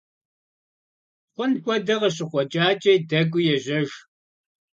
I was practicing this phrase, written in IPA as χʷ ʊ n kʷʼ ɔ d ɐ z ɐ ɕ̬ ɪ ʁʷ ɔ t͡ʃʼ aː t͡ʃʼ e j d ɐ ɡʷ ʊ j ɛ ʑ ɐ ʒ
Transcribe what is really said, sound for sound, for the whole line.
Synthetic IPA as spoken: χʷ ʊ n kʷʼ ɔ d ɐ ʁ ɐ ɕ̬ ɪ χʷ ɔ t͡ʃʼ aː t͡ʃʼ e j d ɐ ɡʷ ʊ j ɛ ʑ ɐ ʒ